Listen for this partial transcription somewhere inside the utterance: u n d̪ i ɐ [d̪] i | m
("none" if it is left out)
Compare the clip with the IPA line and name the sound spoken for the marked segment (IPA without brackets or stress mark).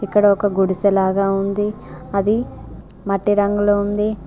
d̪